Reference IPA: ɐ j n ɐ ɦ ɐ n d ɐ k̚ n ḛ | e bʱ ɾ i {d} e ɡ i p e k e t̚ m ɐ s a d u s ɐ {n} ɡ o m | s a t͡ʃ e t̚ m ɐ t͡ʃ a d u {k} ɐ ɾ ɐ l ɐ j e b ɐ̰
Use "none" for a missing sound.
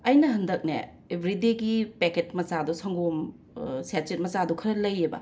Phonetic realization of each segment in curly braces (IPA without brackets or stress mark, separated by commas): d, ŋ, kʰ